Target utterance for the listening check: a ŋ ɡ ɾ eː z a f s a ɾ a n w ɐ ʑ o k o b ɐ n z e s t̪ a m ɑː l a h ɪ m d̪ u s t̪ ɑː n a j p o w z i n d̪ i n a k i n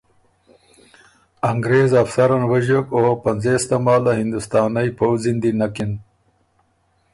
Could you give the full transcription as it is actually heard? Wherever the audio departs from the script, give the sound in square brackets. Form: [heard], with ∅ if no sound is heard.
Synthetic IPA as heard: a ŋ ɡ ɾ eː z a f s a ɾ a n w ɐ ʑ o k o [p] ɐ n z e s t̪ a m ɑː l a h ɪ [n] d̪ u s t̪ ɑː n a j p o w z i n d̪ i n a k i n